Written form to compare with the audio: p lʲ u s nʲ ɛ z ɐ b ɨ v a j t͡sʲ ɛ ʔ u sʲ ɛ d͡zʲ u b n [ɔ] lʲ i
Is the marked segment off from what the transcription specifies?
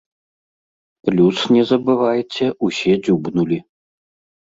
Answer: yes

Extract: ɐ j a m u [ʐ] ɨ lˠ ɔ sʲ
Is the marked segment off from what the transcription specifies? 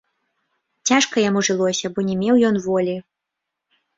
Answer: no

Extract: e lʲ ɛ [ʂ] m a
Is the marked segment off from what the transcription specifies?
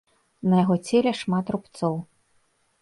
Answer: no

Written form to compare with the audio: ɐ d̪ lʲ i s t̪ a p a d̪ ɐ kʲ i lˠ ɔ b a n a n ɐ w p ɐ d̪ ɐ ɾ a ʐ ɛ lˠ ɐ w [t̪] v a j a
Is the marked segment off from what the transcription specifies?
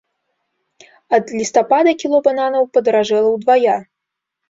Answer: yes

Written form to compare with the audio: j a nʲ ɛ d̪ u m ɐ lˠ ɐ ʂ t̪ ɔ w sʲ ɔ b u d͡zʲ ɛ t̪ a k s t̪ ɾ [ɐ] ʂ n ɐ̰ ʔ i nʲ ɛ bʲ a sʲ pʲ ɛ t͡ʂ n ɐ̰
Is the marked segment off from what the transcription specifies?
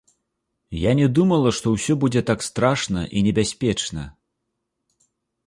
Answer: yes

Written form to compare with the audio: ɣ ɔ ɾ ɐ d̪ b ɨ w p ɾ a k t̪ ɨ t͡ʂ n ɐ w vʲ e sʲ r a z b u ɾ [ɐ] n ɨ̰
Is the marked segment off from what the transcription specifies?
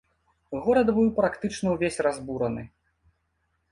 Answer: no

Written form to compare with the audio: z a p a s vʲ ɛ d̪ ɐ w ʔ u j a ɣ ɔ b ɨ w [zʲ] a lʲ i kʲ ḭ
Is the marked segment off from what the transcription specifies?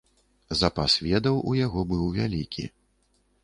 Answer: yes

